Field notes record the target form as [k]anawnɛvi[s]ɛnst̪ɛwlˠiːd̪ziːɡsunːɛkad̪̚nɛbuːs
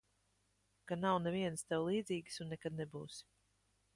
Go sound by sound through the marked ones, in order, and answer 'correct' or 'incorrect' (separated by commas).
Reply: correct, incorrect